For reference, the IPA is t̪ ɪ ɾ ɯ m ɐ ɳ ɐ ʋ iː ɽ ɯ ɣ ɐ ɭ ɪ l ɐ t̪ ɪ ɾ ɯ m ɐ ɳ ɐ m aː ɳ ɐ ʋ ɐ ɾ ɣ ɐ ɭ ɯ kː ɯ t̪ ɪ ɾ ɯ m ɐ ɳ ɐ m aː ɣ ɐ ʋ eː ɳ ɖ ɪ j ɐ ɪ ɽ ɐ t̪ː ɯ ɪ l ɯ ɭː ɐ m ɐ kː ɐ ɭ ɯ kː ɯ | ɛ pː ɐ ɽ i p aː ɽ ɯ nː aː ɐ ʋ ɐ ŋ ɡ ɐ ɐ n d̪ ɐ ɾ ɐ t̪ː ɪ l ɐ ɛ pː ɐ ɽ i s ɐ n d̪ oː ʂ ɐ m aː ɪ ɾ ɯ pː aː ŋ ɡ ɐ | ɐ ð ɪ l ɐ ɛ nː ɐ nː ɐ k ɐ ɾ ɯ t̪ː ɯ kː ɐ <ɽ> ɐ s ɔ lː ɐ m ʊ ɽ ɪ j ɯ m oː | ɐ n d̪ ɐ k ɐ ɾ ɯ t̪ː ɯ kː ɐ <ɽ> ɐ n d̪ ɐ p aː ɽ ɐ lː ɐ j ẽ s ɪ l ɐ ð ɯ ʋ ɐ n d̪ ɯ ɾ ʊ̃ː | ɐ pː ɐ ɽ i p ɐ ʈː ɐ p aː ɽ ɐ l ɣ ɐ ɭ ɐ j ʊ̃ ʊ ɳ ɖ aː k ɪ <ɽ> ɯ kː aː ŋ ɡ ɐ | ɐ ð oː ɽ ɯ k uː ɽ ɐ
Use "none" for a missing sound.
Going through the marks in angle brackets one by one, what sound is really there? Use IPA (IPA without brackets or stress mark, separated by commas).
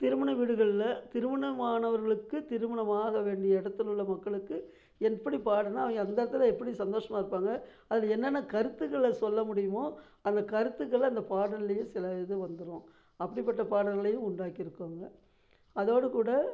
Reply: ɭ, ɭ, ɾ